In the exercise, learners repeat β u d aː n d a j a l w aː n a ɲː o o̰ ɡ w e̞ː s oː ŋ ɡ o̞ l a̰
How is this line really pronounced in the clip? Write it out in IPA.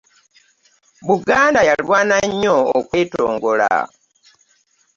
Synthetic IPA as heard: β u ɡ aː n d a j a l w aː n a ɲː o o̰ k w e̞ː t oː ŋ ɡ o̞ l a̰